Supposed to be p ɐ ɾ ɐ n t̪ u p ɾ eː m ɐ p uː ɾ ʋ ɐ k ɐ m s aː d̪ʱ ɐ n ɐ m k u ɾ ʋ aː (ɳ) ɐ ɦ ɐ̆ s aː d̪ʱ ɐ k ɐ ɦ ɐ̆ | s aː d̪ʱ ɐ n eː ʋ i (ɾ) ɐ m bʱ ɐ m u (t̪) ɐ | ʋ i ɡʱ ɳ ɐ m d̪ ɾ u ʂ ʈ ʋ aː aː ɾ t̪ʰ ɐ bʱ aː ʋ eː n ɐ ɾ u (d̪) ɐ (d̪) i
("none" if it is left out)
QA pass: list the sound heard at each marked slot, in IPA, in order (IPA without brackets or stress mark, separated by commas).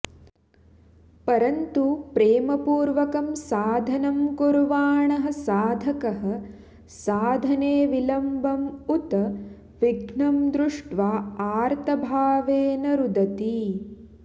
ɳ, l, t̪, d̪, t̪